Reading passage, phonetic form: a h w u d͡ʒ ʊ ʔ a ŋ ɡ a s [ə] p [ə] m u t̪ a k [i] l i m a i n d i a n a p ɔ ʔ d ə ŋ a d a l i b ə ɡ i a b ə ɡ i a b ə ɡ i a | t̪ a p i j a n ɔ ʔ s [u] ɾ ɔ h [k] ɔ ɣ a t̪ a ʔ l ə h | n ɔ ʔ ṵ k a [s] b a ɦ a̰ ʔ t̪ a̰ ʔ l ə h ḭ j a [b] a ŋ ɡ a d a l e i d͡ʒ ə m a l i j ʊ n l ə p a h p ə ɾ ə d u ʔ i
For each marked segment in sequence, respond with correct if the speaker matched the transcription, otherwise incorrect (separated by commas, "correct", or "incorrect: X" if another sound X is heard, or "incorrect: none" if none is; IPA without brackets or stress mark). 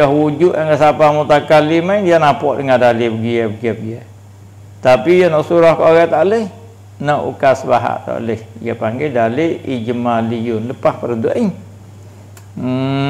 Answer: incorrect: a, incorrect: a, incorrect: a, correct, correct, correct, incorrect: p